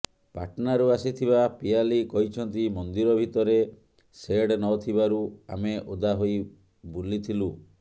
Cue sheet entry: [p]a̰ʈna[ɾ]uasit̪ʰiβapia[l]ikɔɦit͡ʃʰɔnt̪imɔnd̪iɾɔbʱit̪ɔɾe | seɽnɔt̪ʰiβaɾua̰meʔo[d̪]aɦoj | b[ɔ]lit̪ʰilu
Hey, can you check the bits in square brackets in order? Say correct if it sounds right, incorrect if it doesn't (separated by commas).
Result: correct, correct, correct, correct, incorrect